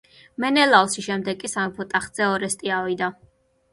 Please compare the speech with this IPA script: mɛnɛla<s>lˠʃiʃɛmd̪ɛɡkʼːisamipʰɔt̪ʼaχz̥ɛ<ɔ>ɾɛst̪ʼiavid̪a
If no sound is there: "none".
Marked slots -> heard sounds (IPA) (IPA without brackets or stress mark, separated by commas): none, ɔ